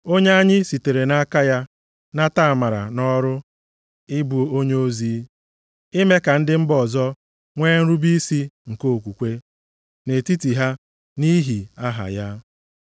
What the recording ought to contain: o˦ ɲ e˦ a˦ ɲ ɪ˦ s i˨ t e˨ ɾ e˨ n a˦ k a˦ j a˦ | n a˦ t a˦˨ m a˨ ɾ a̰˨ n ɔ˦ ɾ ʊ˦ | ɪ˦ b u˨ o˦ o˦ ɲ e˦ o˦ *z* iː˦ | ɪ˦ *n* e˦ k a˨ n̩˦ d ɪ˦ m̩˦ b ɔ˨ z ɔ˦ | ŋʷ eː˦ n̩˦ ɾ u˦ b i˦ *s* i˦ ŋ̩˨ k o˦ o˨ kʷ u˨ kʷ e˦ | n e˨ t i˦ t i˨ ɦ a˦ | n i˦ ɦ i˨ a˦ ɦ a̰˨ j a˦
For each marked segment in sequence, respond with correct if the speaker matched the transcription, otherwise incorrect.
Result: correct, incorrect, correct

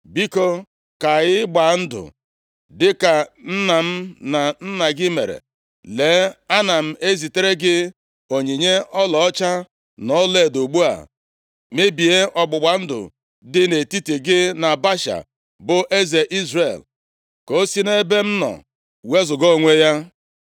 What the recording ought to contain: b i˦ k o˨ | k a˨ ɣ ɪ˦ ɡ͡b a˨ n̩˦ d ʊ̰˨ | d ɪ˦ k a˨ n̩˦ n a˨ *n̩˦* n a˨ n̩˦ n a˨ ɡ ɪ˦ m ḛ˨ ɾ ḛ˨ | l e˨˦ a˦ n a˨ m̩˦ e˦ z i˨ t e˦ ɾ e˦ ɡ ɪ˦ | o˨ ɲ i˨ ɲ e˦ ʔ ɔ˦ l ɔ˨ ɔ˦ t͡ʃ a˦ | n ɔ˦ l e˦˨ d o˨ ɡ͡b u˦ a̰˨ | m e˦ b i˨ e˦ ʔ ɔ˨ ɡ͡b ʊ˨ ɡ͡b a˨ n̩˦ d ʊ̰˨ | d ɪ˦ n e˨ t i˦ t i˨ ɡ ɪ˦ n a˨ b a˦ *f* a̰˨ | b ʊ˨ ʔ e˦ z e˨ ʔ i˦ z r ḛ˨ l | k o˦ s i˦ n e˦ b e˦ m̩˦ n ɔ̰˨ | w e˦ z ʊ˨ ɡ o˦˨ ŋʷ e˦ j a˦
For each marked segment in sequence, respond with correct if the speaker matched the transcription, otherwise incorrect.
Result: incorrect, incorrect

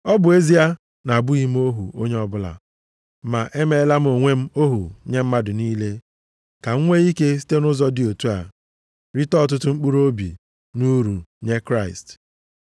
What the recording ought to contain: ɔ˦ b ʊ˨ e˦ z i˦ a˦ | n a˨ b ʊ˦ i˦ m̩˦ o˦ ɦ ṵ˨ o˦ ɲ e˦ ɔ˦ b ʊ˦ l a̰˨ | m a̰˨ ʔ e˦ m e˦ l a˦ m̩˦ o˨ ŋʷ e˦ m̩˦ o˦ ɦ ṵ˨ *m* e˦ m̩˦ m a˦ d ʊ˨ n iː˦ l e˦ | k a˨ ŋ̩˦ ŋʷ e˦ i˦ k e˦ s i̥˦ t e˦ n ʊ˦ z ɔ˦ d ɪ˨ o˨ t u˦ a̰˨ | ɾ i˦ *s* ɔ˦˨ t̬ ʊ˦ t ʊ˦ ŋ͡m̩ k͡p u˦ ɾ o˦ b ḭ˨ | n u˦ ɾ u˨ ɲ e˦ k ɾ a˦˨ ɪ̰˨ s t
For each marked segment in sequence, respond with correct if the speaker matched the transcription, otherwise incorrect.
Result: incorrect, incorrect

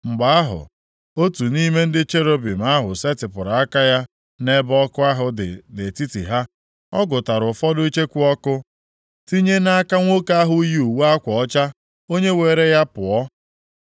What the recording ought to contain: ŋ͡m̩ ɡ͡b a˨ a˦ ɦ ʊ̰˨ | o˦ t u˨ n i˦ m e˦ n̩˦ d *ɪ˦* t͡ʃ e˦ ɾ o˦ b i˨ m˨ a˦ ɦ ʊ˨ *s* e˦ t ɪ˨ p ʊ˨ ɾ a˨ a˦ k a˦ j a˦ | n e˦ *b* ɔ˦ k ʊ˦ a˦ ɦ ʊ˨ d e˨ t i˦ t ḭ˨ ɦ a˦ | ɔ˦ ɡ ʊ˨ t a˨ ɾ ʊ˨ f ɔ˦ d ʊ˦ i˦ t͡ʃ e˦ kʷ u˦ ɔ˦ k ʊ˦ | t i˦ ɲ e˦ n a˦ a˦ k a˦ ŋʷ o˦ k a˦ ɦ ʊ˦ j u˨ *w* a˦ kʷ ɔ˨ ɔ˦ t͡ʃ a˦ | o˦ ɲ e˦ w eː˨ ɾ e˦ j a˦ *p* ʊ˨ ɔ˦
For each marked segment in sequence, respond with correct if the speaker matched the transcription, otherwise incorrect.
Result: correct, correct, correct, correct, correct

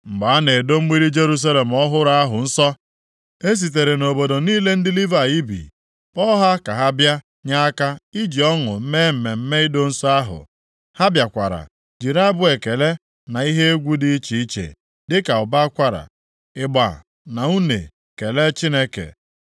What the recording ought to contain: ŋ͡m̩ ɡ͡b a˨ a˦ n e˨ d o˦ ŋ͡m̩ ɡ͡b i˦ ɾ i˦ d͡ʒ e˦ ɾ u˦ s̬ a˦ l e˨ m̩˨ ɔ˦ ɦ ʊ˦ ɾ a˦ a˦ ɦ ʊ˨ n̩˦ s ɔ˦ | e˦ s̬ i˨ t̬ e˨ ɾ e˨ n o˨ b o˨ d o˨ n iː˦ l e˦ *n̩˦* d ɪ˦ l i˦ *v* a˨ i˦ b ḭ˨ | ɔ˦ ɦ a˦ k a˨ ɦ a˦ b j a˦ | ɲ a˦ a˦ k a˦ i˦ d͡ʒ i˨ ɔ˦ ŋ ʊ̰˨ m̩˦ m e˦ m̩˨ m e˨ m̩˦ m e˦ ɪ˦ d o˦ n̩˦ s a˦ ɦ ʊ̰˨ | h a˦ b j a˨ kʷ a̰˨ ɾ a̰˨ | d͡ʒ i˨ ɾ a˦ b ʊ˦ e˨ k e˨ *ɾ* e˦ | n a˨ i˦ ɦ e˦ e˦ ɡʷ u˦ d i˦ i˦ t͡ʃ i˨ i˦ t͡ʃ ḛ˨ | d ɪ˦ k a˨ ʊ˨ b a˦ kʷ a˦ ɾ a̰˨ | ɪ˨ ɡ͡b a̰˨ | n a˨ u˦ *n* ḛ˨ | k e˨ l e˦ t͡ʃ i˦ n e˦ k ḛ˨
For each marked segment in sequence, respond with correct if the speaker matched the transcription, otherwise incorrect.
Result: correct, correct, incorrect, correct

